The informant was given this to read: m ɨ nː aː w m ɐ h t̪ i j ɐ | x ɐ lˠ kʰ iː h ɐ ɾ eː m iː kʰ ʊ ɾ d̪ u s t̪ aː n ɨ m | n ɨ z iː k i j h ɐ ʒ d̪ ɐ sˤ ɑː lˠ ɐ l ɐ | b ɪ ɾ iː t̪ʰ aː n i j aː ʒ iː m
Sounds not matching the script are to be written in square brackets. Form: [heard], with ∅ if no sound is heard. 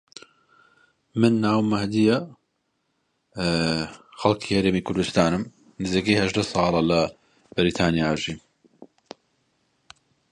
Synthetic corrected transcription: m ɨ nː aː w m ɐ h [d̪] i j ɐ | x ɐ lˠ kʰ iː h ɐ ɾ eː m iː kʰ ʊ ɾ d̪ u s t̪ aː n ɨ m | n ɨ z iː k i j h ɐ ʒ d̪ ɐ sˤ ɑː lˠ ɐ l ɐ | b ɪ ɾ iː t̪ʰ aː n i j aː ʒ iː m